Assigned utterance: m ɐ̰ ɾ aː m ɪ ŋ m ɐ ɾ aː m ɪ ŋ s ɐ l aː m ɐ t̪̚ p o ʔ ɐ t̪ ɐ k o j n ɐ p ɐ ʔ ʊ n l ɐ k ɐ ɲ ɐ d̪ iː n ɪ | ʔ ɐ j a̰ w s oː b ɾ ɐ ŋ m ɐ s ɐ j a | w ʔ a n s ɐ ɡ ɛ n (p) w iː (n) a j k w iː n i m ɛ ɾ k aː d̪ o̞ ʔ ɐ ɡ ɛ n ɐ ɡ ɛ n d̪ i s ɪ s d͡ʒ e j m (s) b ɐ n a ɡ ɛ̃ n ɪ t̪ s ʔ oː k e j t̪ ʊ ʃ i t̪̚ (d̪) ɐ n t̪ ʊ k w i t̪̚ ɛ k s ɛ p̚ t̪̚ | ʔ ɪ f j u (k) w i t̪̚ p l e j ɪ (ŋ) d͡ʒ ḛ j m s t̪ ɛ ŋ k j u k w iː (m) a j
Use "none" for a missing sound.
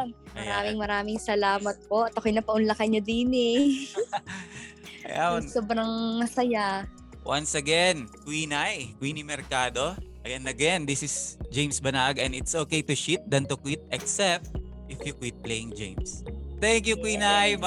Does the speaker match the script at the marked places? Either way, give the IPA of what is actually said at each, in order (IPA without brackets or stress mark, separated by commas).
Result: k, n, s, d̪, k, ŋ, n